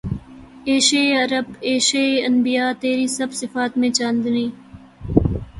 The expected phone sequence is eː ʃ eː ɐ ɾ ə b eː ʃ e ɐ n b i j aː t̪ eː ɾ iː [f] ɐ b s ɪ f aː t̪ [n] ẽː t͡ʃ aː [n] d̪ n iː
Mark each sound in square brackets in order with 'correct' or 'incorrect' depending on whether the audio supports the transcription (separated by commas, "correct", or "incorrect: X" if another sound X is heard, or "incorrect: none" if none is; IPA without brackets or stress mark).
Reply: incorrect: s, incorrect: m, correct